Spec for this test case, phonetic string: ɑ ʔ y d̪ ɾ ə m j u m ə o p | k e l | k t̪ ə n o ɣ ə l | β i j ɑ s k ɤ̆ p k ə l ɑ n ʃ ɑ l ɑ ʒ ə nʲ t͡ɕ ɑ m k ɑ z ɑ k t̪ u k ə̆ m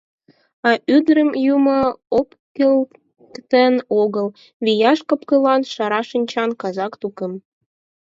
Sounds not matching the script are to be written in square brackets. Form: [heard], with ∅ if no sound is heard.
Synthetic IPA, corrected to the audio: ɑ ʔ y d̪ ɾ ə m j u m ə o p | k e l | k t̪ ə n o ɣ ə l | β i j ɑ [ʃ] k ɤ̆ p k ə l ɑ n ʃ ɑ [ɾ] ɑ [ʃ] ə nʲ t͡ɕ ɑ [n] k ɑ z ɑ k t̪ u k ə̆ m